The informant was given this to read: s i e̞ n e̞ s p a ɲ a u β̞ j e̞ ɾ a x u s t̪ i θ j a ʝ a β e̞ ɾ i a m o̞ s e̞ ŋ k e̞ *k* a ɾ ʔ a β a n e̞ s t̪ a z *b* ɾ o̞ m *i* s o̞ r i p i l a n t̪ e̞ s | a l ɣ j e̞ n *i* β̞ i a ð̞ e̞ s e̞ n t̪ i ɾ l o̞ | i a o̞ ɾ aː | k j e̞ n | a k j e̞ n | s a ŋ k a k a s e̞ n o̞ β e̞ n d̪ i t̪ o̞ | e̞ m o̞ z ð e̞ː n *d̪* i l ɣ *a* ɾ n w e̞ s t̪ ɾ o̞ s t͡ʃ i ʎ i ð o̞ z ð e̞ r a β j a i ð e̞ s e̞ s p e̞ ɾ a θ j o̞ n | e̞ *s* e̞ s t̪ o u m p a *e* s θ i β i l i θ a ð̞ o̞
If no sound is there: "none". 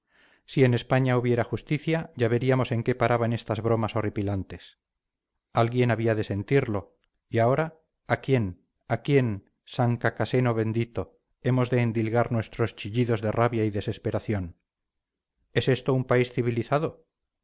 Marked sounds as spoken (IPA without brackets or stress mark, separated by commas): p, β, a, a, d̪, a, s, i